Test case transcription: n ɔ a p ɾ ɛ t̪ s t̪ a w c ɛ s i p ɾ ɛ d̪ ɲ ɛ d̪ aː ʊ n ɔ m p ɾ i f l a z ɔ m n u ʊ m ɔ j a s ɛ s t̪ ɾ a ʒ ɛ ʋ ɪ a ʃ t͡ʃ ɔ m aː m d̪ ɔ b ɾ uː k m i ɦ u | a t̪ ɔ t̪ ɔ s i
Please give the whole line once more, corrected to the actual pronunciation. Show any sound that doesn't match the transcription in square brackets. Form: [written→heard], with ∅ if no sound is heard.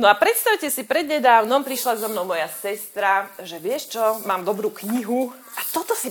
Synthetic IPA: n ɔ a p ɾ ɛ t̪ s t̪ a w c ɛ s i p ɾ ɛ d̪ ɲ ɛ d̪ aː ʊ n ɔ m p ɾ i [f→ʃ] l a z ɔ m n [u→ɔ] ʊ m ɔ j a s ɛ s t̪ ɾ a ʒ ɛ ʋ ɪ [a→ɛ] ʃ t͡ʃ ɔ m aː m d̪ ɔ b ɾ uː k [m→ɲ] i ɦ u | a t̪ ɔ t̪ ɔ s i